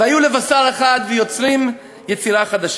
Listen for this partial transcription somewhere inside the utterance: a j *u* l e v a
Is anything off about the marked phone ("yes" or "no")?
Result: no